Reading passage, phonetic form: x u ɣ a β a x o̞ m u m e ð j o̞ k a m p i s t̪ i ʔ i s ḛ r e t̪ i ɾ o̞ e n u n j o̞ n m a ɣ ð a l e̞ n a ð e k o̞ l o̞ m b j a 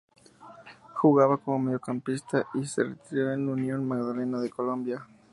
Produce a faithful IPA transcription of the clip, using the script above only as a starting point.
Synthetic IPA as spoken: x u ɣ a β a k o̞ m o m e ð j o̞ k a m p i s t̪ a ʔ i s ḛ r e t̪ i ɾ o̞ e n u n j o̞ n m a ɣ ð a l e̞ n a ð e k o̞ l o̞ m b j a

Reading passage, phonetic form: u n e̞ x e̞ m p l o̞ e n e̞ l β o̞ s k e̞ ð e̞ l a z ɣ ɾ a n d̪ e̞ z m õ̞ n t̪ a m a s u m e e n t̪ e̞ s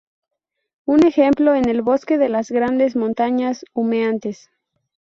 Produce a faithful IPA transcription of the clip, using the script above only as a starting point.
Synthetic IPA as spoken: u n e̞ x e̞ m p l o̞ e n e̞ l β o̞ s k e̞ ð e̞ l a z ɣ ɾ a n d̪ e̞ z m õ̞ n t̪ a ɲ a s u m e a n t̪ e̞ s

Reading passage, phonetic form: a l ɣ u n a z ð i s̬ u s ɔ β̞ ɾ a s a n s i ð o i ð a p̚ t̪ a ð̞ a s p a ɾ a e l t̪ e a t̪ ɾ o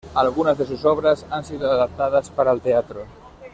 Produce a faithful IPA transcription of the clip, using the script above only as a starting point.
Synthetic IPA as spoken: a l ɣ u n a z ð e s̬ u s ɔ β̞ ɾ a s a n s i ð o a ð a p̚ t̪ a ð̞ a s p a ɾ a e l t̪ e a t̪ ɾ o

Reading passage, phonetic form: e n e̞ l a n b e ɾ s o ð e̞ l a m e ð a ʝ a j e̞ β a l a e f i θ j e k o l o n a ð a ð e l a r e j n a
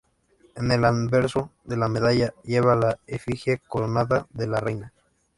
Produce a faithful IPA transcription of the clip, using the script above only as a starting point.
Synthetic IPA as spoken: e n e̞ l a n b e ɾ s o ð e̞ l a m e ð a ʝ a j e̞ β a l a e f i x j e k o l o n a ð a ð e l a r e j n a

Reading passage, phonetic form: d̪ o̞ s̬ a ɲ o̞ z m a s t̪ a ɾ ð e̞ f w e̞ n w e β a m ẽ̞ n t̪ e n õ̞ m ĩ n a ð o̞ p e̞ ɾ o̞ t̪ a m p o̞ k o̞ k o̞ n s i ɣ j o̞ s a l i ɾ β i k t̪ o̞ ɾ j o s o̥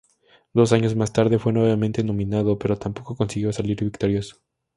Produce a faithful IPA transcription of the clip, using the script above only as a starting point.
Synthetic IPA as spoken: d̪ o̞ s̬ a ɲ o̞ z m a s t̪ a ɾ ð e̞ f w e̞ n w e β a m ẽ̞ n t̪ e n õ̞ m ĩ n a ð o̞ p e̞ ɾ o̞ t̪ a m p o̞ k o̞ k o̞ n s i ɣ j o̞ s a l i ɾ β i k t̪ o̞ ɾ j o s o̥

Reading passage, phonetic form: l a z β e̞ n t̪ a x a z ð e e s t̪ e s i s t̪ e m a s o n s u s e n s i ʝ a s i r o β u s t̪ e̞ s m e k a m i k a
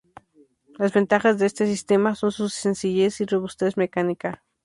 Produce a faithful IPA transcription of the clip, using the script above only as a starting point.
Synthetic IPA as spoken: l a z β e̞ n t̪ a x a z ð e e s t̪ e s i s t̪ e m a s o n s u s e n s i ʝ e s i r o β u s t̪ e̞ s m e k a n i k a

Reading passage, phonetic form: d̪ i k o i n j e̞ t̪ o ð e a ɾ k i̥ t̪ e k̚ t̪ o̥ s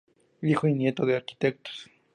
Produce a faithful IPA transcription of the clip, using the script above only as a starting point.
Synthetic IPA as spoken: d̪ i x o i n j e̞ t̪ o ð e a ɾ k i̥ t̪ e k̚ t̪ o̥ s

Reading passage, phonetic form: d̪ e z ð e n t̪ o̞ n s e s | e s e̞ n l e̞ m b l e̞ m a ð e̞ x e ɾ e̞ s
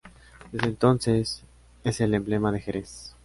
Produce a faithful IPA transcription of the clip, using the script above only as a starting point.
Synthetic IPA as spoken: d̪ e z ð e n t̪ o̞ n s e s | e s e̞ l e̞ m b l e̞ m a ð e̞ x e ɾ e̞ s

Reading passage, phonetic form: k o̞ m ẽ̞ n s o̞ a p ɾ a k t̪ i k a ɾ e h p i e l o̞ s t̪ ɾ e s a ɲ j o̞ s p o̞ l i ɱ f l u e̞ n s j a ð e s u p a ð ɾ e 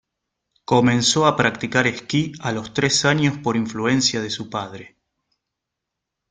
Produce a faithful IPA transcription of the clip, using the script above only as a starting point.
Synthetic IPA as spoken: k o̞ m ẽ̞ n s o̞ a p ɾ a k t̪ i k a ɾ e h k i a l o̞ s t̪ ɾ e s a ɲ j o̞ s p o̞ ɾ i ɱ f l u e̞ n s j a ð e s u p a ð ɾ e

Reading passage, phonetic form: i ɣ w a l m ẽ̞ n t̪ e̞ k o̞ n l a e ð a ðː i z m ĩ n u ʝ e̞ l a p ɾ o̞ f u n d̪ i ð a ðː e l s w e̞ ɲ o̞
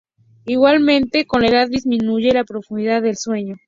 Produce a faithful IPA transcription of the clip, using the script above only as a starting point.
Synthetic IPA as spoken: i ɣ w a l m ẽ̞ n t̪ e̞ k o̞ n l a e ð a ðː i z m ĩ n u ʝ e̞ l a p ɾ o̞ f u n d̪ i ð a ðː e l s w e̞ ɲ o̞

